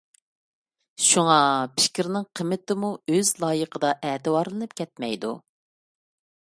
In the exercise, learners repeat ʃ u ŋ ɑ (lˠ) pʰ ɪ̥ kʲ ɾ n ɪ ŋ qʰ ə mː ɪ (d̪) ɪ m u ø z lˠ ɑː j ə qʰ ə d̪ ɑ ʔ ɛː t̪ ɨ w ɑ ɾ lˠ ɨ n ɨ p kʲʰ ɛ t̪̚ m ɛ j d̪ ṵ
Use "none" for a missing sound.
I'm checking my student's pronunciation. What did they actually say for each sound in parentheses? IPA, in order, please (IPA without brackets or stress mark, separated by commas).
none, t̪